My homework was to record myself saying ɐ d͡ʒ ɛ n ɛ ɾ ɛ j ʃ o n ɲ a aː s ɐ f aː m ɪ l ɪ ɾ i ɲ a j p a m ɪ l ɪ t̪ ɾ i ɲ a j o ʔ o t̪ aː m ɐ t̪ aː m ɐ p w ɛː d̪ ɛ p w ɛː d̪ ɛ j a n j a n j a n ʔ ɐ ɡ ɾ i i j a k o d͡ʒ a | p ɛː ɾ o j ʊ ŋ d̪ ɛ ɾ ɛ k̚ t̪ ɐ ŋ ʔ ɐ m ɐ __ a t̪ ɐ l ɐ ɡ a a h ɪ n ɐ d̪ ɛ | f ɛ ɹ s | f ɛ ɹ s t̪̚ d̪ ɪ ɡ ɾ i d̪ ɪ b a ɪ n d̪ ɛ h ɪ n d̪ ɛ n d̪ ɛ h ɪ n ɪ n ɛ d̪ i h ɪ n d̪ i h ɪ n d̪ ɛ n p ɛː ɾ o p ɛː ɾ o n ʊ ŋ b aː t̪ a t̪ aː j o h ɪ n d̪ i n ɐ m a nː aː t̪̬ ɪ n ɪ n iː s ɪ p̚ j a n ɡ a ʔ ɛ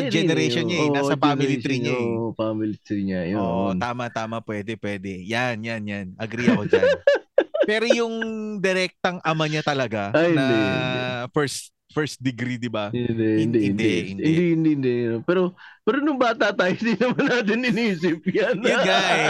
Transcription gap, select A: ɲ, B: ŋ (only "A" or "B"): A